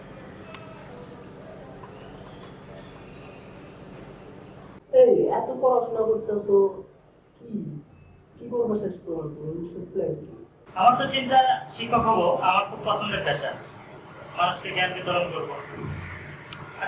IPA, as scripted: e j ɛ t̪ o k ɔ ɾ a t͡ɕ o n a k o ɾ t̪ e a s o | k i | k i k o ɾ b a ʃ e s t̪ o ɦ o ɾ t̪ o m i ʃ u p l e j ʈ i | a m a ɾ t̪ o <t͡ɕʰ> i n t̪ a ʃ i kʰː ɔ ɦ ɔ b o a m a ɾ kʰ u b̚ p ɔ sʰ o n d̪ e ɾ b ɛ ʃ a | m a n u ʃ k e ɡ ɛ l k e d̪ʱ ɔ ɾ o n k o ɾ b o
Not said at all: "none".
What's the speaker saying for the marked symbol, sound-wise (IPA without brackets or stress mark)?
t͡ɕ